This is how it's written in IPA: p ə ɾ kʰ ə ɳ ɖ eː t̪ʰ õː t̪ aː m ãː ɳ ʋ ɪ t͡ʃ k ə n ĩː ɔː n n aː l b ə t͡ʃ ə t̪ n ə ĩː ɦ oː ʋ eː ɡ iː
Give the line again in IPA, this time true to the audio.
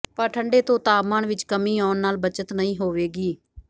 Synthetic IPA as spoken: p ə ɾ ʈʰ ə ɳ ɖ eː t̪ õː t̪ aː m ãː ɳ ʋ ɪ t͡ʃ k ə m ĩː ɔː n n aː l b ə t͡ʃ ə t̪ n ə ĩː ɦ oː ʋ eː ɡ iː